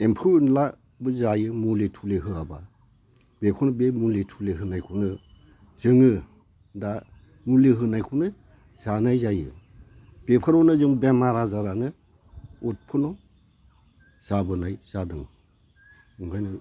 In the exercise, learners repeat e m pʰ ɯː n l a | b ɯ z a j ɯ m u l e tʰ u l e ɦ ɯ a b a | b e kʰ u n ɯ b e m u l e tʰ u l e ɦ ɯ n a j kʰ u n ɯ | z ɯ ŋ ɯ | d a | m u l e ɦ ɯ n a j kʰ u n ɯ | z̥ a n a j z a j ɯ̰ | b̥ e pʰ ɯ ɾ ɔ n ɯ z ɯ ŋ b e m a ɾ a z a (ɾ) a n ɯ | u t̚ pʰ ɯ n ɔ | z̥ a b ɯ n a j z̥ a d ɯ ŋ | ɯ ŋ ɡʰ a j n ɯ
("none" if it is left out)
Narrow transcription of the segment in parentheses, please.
ɾ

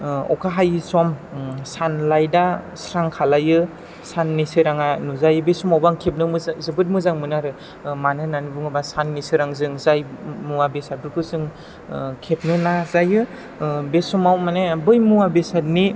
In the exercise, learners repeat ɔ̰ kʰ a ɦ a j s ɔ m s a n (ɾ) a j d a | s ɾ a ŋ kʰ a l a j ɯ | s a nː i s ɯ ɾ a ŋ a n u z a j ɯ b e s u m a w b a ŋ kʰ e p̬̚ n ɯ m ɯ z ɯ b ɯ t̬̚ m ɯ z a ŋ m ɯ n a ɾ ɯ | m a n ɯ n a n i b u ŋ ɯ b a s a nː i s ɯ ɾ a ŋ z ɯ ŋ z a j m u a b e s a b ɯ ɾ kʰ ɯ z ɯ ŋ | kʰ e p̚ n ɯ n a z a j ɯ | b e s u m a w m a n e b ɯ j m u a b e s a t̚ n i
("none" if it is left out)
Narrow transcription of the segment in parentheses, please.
l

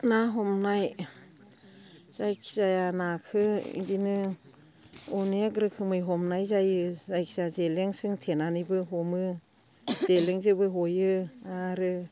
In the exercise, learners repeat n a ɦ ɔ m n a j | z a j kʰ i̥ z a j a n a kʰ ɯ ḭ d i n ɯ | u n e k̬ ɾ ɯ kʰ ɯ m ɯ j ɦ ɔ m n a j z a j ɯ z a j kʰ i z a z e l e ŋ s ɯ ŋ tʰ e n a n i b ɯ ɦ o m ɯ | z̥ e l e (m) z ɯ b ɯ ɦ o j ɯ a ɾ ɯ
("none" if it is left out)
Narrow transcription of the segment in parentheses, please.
ŋ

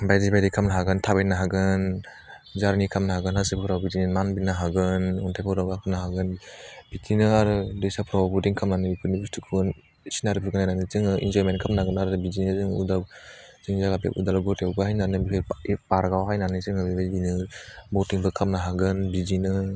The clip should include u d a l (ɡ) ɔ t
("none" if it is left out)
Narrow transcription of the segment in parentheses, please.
ɡ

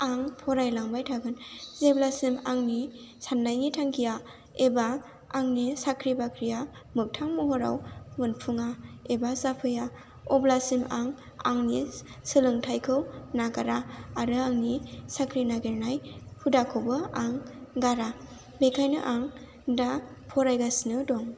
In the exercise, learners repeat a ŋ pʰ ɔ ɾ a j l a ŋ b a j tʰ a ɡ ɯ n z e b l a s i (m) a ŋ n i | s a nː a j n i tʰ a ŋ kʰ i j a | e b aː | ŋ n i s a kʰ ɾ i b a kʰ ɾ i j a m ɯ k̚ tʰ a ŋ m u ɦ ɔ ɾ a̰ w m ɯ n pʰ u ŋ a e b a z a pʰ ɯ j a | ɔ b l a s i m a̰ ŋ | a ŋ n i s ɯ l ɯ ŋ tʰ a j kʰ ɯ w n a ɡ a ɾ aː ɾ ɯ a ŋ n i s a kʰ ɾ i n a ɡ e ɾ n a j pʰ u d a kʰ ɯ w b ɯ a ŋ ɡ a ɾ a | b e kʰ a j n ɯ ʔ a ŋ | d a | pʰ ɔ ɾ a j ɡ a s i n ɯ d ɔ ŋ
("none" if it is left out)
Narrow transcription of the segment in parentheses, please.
m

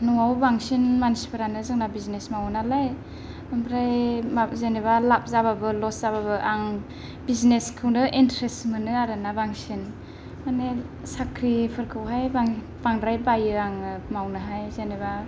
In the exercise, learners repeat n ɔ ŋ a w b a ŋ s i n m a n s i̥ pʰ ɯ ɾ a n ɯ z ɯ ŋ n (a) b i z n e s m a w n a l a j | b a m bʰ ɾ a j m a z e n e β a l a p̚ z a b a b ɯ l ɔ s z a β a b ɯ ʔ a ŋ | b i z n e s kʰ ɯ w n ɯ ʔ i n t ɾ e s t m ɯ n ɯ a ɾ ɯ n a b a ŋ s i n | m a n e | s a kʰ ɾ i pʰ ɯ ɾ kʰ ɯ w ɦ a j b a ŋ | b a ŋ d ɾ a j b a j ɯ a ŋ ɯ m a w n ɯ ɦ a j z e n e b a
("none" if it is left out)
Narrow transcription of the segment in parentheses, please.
a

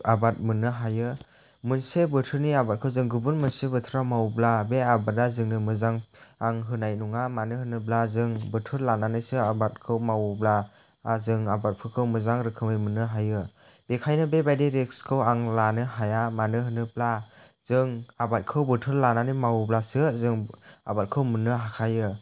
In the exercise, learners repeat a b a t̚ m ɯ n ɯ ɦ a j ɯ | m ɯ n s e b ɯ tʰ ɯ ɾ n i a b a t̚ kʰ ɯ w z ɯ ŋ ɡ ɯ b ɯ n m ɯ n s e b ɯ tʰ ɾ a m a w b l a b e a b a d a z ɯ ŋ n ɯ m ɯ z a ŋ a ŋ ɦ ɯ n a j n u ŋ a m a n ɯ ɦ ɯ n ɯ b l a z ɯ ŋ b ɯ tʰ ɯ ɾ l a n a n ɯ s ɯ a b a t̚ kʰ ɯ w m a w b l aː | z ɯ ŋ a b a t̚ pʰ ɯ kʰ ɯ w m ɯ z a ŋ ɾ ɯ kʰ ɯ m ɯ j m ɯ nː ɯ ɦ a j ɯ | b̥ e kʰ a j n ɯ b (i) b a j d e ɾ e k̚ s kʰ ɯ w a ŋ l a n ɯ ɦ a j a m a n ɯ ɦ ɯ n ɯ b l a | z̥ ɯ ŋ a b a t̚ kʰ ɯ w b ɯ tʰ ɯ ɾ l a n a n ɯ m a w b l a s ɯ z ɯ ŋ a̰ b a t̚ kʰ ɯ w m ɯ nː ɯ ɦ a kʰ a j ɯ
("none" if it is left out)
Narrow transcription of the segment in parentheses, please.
e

